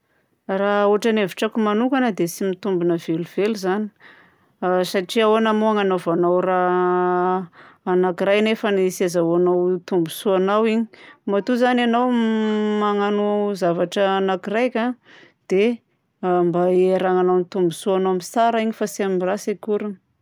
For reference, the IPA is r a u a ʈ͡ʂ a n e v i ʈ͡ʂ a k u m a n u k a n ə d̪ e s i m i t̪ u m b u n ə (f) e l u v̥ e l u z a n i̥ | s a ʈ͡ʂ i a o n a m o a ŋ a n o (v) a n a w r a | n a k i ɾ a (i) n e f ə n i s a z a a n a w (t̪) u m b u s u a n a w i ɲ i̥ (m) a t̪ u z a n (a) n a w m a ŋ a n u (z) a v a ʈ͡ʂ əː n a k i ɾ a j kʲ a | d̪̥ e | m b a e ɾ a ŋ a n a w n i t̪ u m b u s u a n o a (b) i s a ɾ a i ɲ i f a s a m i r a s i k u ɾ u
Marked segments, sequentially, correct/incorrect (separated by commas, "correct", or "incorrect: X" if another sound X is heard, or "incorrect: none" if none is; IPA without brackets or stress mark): incorrect: v, correct, incorrect: j, correct, correct, correct, correct, incorrect: m